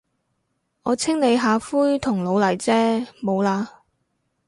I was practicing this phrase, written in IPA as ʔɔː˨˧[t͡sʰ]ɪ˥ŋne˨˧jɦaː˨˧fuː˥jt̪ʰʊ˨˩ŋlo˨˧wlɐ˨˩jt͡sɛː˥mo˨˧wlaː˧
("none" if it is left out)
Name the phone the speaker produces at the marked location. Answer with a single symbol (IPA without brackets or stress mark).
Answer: t͡sʰ